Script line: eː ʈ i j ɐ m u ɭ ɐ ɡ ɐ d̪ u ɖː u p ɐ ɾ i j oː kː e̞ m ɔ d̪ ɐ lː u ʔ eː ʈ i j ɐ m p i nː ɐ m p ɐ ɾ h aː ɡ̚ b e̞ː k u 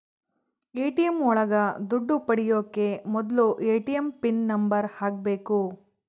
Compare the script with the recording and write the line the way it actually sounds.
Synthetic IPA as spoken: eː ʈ i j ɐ m ɔ ɭ ɐ ɡ ɐ d̪ u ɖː u p ɐ ɽ i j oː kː e̞ m ɔ d̪ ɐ l u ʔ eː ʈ i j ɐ m p i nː ɐ m b ɐ ɾ h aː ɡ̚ b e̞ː k u